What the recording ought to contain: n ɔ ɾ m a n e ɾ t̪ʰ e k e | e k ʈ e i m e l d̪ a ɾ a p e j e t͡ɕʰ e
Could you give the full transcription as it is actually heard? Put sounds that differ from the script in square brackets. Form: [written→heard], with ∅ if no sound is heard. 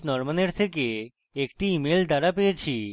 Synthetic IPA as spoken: n ɔ ɾ m a n e ɾ t̪ʰ e k e | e k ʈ [e→i] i m e l d̪ a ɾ a p e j e t͡ɕʰ [e→i]